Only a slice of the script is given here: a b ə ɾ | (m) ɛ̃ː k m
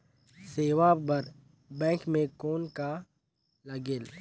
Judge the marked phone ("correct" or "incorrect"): incorrect